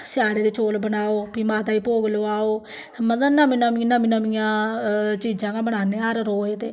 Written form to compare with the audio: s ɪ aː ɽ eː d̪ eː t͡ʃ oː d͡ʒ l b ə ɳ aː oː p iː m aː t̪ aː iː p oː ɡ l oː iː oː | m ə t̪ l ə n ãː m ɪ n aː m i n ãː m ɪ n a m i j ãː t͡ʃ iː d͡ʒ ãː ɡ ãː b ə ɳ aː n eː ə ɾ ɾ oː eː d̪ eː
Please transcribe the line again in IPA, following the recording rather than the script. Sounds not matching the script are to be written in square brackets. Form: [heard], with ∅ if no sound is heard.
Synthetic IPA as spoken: s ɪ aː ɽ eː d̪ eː t͡ʃ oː [∅] l b ə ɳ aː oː p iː m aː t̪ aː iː p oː ɡ l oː [aː] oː | m ə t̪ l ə n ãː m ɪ n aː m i n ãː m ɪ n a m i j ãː t͡ʃ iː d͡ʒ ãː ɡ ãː b ə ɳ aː n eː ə ɾ ɾ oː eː [t̪] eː